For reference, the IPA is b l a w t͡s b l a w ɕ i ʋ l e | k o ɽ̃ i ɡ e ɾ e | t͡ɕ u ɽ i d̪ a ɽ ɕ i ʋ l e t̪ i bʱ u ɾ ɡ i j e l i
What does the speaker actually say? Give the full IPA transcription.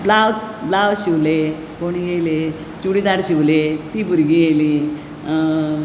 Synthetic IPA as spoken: b l a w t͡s b l a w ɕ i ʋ l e | k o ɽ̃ i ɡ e l e | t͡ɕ u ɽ i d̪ a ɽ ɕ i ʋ l e t̪ i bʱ u ɾ ɡ i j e l i